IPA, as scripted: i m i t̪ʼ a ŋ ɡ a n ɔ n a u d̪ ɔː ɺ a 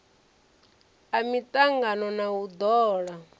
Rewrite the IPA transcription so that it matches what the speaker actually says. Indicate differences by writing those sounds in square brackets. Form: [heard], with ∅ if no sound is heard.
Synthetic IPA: [a] m i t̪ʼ a ŋ ɡ a n ɔ n a u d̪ ɔː ɺ a